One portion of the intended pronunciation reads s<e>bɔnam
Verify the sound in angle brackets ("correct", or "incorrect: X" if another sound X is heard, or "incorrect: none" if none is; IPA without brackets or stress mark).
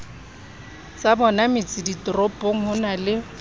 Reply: incorrect: a